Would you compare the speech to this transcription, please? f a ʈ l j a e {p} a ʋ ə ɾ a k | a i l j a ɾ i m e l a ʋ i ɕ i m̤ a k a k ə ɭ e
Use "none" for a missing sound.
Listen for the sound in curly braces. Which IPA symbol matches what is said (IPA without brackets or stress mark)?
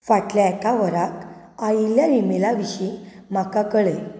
k